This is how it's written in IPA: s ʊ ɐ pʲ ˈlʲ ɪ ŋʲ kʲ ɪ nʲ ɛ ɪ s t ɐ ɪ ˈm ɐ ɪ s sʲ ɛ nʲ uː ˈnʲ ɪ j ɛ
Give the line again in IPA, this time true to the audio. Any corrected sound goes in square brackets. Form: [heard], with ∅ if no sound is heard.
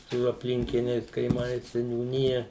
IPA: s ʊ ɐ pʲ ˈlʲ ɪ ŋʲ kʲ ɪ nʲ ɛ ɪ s [k] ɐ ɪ ˈm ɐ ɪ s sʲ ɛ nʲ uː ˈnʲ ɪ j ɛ